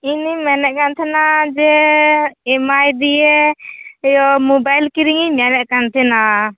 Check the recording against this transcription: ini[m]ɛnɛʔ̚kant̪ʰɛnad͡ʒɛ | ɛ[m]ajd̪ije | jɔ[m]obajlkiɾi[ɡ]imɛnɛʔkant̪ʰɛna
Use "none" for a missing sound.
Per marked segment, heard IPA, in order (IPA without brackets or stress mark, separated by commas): m, m, m, ŋ